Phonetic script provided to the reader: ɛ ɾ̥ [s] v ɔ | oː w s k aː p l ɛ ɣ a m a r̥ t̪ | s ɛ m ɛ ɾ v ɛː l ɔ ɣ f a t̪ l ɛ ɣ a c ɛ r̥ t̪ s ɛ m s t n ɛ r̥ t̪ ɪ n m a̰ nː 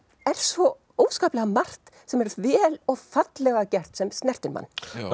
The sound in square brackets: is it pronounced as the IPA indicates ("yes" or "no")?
yes